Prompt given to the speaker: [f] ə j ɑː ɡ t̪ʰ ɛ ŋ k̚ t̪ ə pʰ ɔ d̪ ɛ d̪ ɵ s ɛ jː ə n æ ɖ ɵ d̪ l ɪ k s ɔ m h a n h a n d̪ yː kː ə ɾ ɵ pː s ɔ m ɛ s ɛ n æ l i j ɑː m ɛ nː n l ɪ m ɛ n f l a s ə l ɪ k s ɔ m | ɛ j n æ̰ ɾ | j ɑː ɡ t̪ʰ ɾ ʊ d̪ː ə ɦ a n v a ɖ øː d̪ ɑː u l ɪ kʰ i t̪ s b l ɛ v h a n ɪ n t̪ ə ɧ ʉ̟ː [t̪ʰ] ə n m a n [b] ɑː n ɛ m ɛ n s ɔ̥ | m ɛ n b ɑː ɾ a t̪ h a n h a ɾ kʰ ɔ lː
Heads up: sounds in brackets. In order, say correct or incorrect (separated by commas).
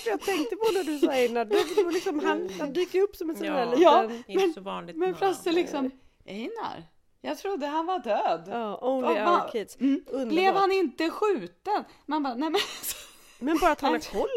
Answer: correct, incorrect, correct